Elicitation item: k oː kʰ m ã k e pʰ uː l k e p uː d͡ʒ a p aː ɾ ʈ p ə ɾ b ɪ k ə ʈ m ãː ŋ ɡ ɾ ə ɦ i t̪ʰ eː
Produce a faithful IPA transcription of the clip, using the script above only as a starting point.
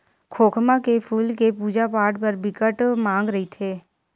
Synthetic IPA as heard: kʰ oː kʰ m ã k e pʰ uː l k e p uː d͡ʒ a p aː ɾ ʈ p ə ɾ b ɪ k ə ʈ m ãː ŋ ɡ ɾ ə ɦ i t̪ʰ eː